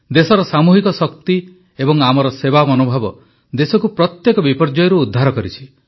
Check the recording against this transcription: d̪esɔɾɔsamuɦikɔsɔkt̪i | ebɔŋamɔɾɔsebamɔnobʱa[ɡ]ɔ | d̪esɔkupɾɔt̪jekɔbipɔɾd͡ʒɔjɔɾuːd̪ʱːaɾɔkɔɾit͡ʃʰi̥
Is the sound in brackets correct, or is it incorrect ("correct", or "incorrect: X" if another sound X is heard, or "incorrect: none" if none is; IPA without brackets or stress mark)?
incorrect: b